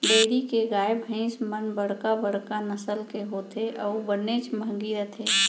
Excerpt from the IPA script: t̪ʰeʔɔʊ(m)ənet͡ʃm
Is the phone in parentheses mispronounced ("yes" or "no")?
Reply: yes